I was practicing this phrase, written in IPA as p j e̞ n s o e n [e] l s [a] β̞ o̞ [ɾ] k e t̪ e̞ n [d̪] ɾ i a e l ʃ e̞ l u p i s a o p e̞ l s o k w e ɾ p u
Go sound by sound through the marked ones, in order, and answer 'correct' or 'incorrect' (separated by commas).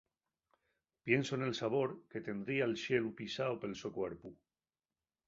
correct, correct, correct, correct